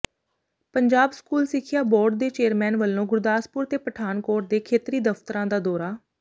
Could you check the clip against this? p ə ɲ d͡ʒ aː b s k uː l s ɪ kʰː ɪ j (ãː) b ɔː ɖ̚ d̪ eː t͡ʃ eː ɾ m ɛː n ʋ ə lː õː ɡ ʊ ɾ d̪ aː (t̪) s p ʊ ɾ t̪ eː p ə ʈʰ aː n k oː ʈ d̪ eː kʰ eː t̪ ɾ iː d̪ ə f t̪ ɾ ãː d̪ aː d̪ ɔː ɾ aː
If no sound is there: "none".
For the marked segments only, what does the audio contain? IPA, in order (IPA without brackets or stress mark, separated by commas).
aː, none